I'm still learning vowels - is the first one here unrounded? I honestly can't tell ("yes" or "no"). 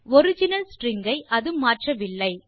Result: no